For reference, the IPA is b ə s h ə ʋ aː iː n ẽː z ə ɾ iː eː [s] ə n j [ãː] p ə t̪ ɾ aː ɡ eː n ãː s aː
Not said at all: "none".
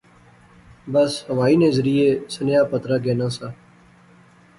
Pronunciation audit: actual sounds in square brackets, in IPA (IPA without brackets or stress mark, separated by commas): s, aː